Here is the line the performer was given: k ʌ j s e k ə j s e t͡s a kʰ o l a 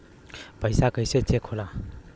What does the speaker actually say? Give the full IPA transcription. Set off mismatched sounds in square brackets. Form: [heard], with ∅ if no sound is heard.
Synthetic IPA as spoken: [p] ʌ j s [a] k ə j s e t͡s [e] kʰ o l a